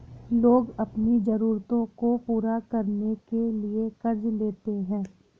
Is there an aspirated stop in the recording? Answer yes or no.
no